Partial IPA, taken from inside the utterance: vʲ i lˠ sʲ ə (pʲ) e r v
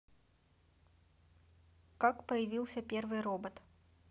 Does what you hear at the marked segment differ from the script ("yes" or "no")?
no